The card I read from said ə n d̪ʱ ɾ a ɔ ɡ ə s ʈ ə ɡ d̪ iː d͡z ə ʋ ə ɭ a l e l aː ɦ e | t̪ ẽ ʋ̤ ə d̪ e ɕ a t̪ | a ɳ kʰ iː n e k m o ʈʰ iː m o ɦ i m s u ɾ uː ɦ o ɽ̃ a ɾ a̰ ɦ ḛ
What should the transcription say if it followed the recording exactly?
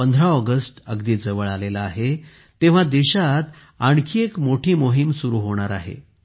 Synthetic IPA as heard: ə n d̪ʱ ɾ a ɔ ɡ ə s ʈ ə ɡ d̪ iː d͡z ə ʋ ə ɭ a l e l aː ɦ e | t̪ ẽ ʋ̤ a d̪ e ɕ a t̪ | a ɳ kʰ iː e k m o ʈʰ iː m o ɦ i m s u ɾ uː ɦ o ɽ̃ a ɾ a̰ ɦ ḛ

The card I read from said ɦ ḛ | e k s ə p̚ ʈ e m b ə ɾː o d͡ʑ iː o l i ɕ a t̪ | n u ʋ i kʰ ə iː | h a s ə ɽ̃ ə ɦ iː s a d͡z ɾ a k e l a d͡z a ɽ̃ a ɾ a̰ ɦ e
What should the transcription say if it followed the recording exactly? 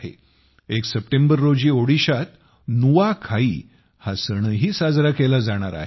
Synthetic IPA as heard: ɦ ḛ | e k s ə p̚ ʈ e m b ə ɾː o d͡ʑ iː o ɽ i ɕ a t̪ | n u ʋ a kʰ a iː | h a s ə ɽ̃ ə ɦ iː s a d͡z ɾ a k e l a d͡z a ɽ̃ a ɾ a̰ ɦ e

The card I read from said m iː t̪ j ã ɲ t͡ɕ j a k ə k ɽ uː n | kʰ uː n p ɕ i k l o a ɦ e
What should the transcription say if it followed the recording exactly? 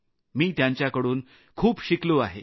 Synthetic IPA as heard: m iː t̪ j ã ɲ t͡ɕ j a k ə ɽ uː n | kʰ uː p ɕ i k l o a ɦ e

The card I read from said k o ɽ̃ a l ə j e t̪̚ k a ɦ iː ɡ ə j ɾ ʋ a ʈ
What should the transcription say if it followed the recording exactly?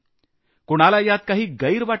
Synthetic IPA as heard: k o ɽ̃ a l a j a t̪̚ k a ɦ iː ɡ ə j ɾ ʋ a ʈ

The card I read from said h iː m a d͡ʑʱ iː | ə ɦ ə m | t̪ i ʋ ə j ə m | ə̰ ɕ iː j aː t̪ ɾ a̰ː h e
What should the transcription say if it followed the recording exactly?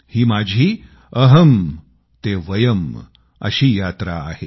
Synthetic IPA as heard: h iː m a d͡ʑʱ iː | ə ɦ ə m | t̪ e ʋ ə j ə m | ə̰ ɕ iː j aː t̪ ɾ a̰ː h e

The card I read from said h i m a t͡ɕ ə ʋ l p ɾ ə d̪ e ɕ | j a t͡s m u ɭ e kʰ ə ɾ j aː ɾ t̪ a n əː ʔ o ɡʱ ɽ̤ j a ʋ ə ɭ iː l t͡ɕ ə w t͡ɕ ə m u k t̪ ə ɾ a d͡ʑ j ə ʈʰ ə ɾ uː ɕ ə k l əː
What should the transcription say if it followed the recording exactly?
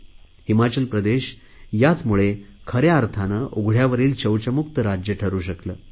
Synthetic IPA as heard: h i m a t͡ɕ ə l p ɾ ə d̪ e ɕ | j a t͡s m u ɭ e kʰ ə ɾ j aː ɾ t̪ʰ a n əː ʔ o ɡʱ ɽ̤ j a ʋ ə ɾ iː l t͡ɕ ə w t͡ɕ ə m u k t̪ ə ɾ a d͡ʑ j ə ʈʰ ə ɾ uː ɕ ə k l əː

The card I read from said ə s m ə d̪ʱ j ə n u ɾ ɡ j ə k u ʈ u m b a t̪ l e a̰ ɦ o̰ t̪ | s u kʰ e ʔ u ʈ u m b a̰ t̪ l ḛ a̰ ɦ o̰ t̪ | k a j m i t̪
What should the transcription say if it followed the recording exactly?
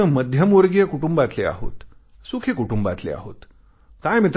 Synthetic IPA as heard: ə m ə d̪ʱ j ə m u ɾ ɡ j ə k u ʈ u m b a t̪ l e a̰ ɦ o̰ t̪ | s u kʰ e k u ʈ u m b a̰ t̪ l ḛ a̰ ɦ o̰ t̪ | k a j m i t̪

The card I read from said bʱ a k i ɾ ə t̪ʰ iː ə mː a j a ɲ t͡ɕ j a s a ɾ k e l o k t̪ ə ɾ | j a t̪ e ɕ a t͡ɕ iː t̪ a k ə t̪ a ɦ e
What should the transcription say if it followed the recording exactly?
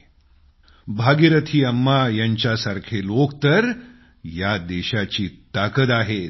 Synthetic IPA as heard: bʱ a ɡ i ɾ ə t̪ʰ iː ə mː a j a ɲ t͡ɕ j a s a ɾ kʰ e l o k t̪ ə ɾ | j a d̪ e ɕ a t͡ɕ iː t̪ a k ə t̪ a ɦ e

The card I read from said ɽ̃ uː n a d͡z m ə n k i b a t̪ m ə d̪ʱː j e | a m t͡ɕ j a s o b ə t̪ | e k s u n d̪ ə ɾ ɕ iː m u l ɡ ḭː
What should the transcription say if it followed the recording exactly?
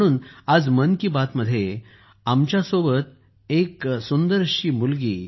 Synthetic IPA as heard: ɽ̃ uː n a d͡z m ə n k i b a t̪ m ə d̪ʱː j e | a m t͡ɕ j a s o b ə t̪ | e k s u n d̪ ə ɾ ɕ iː m u l ɡ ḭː

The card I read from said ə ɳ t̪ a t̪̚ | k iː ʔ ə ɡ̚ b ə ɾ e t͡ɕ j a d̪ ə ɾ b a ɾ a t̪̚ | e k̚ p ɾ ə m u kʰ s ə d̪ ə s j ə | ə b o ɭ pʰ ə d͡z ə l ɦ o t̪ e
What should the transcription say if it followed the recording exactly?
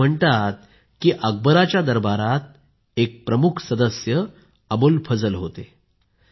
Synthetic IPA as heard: ə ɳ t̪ a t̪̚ | k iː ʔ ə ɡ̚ b ə ɾ a t͡ɕ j a d̪ ə ɾ b a ɾ a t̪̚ | e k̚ p ɾ ə m u kʰ s ə d̪ ə s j ə | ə b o l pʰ ə d͡z ə l ɦ o t̪ e

